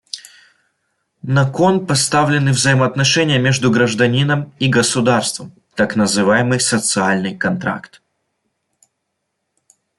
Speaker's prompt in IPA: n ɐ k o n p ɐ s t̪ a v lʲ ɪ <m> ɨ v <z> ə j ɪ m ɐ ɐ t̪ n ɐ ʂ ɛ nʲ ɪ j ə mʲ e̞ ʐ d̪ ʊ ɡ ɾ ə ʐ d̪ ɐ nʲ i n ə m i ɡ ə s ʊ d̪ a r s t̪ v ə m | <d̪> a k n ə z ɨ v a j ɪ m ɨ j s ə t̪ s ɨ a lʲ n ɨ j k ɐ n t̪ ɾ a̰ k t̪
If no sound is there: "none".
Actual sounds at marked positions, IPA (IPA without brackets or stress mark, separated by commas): n, z, t̪